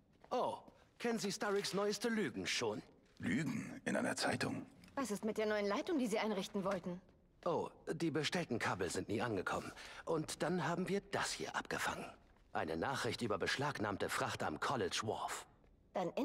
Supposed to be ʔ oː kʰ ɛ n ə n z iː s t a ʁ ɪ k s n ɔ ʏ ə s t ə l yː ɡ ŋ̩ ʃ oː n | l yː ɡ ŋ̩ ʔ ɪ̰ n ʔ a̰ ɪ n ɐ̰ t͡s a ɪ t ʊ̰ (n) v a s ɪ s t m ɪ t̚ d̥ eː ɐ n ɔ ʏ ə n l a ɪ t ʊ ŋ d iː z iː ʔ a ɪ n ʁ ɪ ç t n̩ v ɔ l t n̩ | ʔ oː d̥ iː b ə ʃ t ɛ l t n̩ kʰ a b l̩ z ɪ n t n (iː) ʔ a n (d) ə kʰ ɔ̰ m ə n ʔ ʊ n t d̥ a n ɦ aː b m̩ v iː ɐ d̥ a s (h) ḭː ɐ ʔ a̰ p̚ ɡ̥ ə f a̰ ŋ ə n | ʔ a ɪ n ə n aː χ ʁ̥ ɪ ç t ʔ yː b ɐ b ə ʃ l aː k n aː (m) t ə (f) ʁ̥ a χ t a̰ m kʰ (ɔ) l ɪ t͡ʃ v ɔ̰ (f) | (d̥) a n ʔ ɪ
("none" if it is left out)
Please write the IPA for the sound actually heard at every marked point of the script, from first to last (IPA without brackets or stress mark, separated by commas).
ŋ, iː, ɡ, h, m, f, ɔ, f, d̥